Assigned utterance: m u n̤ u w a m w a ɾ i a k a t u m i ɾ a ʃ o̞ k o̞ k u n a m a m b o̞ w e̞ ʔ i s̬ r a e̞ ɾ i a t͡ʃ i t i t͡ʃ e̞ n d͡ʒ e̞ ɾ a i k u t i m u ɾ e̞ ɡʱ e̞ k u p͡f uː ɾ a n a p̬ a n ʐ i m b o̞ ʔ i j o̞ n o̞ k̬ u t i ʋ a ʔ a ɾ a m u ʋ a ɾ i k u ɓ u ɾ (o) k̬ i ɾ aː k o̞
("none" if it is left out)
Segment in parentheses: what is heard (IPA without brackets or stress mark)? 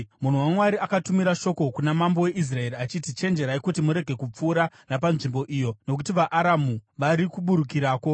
u